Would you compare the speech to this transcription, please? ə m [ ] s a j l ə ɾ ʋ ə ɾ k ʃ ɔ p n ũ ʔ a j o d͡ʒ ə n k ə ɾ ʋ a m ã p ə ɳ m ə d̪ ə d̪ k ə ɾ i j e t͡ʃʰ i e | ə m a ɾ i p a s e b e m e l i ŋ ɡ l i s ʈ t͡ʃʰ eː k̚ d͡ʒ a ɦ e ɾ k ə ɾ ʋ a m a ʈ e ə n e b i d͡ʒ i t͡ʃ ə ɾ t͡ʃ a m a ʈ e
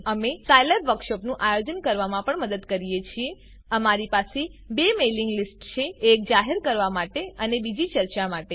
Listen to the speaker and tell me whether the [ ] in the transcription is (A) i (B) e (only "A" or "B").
B